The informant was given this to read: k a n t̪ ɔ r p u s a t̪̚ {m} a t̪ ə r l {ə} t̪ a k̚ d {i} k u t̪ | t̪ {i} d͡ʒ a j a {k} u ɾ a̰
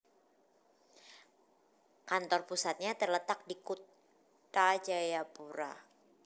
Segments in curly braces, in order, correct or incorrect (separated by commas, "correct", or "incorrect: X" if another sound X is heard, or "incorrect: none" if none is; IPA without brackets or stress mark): incorrect: ɲ, correct, correct, incorrect: a, incorrect: p